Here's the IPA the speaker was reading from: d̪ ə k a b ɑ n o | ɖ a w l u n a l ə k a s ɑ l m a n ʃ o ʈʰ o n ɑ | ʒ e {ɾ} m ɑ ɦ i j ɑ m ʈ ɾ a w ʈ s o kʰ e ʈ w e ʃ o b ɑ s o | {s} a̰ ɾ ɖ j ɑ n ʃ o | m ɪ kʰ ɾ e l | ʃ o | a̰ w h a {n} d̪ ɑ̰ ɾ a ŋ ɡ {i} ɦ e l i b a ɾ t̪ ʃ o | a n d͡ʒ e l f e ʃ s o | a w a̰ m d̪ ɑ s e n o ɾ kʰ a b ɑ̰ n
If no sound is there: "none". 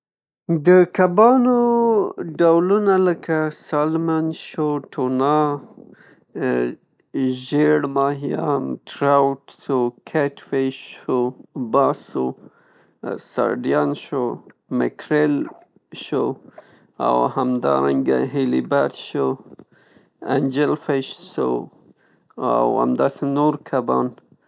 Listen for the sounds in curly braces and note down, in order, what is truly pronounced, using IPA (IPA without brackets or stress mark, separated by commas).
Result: ɽ, s, m, a